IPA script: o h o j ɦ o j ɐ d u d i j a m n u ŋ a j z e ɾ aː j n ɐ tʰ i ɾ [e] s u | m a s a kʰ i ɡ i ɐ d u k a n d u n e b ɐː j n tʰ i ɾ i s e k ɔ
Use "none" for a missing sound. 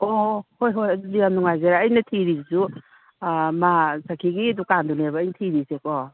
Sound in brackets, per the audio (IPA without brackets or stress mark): i